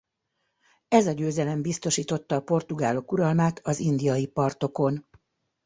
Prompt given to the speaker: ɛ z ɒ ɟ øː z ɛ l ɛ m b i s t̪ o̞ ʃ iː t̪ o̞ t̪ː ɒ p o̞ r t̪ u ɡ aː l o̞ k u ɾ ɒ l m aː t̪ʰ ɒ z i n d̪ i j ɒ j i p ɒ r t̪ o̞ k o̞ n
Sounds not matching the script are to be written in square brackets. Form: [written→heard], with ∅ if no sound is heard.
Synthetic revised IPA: ɛ z ɒ ɟ øː z ɛ l ɛ m b i s t̪ o̞ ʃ iː t̪ o̞ t̪ː [ɒ→ɒː] p o̞ r t̪ u ɡ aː l o̞ k u ɾ ɒ l m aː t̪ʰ ɒ z i n d̪ i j ɒ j i p ɒ r t̪ o̞ k o̞ n